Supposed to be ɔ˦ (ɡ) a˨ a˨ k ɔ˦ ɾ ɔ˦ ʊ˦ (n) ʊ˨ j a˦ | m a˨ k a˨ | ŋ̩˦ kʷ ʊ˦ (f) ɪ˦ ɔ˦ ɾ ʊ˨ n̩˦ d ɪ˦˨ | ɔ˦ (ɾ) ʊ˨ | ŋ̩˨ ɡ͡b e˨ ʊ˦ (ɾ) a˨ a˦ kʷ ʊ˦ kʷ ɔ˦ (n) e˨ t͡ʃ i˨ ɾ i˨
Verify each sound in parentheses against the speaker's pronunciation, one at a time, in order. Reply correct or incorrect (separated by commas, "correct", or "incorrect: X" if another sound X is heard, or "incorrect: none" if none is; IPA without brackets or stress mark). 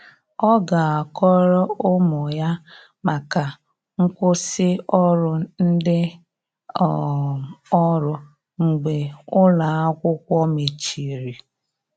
correct, incorrect: m, incorrect: s, correct, incorrect: l, incorrect: m